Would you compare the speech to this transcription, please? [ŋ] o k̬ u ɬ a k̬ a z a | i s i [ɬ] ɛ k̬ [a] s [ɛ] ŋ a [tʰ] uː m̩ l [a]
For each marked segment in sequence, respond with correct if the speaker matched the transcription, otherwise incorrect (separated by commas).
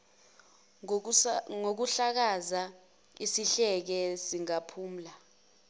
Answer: correct, correct, incorrect, incorrect, incorrect, correct